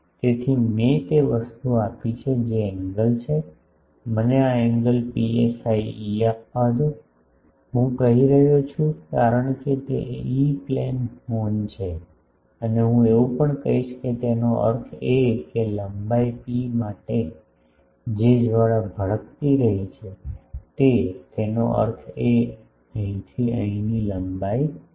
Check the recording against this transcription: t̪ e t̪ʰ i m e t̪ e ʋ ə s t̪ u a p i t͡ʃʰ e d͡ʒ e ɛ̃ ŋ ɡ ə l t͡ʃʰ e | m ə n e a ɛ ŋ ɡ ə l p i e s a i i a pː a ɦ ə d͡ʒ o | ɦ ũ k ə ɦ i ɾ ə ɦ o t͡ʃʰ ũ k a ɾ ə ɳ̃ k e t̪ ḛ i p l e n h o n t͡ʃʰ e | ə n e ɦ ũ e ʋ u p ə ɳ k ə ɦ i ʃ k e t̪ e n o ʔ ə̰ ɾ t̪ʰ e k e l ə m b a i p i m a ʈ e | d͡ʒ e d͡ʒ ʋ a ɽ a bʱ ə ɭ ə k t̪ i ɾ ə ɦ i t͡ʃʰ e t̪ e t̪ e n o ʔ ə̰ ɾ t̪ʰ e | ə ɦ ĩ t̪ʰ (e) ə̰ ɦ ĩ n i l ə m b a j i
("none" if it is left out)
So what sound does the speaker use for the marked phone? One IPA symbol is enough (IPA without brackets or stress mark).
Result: i